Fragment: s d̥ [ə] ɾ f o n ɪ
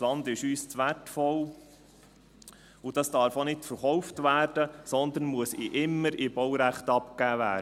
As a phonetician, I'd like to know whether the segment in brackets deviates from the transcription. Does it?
yes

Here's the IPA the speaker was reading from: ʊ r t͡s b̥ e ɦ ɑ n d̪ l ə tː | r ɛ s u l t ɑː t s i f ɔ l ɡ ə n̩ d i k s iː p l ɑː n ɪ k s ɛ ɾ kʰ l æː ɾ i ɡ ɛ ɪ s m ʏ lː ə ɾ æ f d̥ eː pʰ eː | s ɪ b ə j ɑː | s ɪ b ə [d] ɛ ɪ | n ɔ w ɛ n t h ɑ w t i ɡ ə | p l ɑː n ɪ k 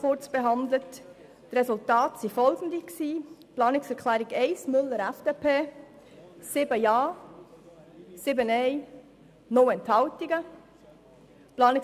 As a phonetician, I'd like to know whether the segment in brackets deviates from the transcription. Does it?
yes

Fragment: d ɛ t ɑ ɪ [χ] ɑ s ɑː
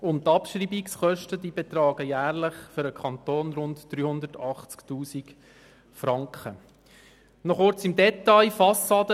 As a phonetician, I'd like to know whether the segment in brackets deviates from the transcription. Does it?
yes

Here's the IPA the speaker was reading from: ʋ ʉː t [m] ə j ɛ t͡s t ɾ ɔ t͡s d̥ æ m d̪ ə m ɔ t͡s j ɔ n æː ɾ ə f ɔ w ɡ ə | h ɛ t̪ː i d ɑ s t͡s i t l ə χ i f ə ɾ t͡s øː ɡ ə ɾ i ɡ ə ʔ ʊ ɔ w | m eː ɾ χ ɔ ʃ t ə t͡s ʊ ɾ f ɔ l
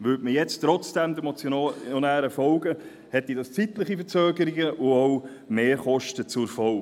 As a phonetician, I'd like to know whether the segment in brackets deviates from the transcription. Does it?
no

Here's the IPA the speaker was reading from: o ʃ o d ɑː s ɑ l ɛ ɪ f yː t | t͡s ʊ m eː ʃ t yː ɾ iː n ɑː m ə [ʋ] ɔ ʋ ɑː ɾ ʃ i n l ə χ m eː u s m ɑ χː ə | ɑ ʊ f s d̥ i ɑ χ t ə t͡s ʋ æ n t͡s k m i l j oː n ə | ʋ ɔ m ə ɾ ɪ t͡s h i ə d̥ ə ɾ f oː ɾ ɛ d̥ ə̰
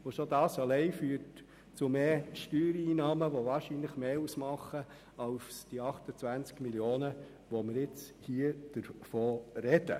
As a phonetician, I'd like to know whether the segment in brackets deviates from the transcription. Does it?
no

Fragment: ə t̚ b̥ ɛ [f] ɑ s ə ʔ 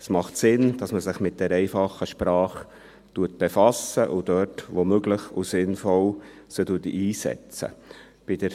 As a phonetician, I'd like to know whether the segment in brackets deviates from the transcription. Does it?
no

